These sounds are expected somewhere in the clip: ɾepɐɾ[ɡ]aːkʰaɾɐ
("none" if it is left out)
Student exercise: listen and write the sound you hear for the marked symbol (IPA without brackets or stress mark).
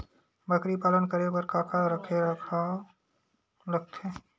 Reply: k